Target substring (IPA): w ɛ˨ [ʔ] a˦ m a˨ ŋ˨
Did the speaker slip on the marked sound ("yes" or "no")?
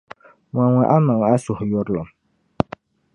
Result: no